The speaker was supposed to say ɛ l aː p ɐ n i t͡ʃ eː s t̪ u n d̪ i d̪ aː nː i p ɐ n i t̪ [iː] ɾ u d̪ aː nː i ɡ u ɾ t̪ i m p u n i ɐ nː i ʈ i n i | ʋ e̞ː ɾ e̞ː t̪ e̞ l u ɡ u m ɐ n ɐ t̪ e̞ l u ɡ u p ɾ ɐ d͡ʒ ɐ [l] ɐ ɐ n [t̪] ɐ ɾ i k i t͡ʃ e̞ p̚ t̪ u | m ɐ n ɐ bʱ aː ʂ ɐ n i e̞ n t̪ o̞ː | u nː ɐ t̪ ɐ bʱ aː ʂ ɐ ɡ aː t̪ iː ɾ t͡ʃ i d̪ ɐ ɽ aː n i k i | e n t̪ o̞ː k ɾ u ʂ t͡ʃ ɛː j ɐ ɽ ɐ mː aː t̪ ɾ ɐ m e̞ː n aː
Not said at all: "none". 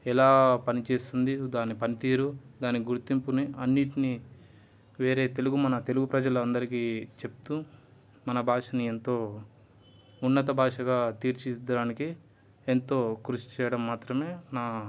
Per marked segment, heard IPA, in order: iː, l, d̪

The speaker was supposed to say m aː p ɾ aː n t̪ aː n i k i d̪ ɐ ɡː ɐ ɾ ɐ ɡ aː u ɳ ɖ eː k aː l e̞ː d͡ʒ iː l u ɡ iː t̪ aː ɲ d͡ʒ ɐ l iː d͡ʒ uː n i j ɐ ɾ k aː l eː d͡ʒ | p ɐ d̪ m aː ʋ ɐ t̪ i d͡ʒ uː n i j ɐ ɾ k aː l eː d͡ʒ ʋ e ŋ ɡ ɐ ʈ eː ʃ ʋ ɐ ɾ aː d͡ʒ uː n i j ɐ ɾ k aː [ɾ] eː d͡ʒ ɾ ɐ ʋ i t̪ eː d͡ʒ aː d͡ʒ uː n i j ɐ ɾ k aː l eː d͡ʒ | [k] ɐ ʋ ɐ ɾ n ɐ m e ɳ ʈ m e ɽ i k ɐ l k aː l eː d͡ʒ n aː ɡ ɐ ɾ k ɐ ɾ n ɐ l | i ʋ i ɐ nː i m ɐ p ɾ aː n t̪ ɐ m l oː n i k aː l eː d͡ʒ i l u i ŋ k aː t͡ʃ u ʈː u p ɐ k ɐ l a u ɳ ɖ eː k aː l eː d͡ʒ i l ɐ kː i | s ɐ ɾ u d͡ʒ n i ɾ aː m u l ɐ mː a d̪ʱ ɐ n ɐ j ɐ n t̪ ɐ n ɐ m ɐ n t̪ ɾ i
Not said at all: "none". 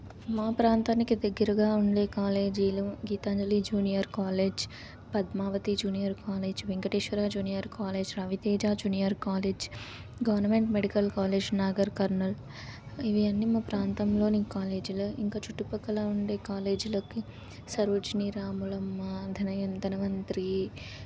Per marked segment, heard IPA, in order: l, ɡ

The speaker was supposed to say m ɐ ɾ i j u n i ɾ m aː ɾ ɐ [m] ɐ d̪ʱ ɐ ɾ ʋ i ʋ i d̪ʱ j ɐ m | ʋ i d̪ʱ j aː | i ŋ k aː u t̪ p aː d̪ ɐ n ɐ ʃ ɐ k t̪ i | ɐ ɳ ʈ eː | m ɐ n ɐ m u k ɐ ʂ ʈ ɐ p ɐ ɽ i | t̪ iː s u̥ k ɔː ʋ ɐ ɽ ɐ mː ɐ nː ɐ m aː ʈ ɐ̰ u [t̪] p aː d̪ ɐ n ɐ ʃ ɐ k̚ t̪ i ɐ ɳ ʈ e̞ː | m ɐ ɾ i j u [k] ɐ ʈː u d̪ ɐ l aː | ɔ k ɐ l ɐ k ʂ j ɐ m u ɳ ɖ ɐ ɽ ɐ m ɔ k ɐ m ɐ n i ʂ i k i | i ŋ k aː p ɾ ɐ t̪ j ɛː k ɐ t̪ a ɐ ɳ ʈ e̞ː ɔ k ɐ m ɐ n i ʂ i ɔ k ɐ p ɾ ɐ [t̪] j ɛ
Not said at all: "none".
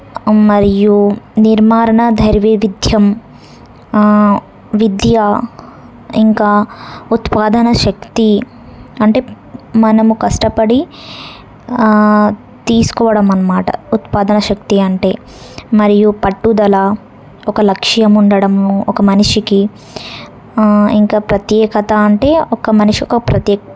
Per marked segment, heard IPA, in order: ɳ, t̪, p, t̪

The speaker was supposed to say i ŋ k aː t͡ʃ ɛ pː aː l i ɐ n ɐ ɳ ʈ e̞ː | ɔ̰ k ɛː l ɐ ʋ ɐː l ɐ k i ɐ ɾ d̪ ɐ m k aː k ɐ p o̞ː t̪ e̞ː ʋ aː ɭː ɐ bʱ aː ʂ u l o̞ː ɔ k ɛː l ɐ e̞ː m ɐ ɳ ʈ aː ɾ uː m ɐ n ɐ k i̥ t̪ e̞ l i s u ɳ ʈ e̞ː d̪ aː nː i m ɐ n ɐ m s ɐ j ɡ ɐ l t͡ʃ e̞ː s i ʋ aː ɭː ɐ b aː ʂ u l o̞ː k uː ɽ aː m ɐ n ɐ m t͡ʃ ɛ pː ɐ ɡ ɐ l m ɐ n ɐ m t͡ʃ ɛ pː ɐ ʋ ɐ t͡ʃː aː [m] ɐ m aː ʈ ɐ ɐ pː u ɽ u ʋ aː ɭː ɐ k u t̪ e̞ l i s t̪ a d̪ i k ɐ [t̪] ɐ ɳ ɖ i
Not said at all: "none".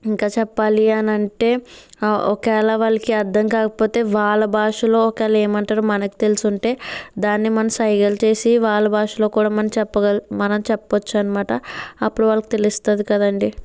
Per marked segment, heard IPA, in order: n, d̪

